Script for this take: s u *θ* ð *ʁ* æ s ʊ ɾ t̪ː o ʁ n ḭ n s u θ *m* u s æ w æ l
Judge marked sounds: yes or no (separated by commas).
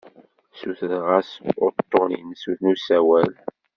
yes, yes, no